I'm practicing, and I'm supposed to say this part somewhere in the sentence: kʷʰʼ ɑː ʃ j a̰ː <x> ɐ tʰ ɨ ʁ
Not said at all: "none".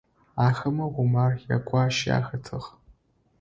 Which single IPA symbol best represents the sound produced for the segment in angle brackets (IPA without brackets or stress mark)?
x